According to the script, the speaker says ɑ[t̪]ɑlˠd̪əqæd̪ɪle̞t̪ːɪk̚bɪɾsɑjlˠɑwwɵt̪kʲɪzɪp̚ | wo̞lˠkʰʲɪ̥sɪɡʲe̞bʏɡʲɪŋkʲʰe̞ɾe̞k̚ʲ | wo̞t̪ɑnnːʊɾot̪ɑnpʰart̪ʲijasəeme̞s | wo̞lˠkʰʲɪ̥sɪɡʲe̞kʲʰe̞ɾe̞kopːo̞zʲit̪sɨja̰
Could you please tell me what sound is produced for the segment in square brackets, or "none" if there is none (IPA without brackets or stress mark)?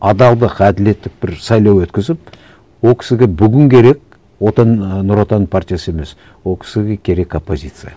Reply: d̪